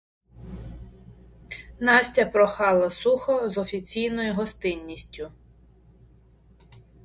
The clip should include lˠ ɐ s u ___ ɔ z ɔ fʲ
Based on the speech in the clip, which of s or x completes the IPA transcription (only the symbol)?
x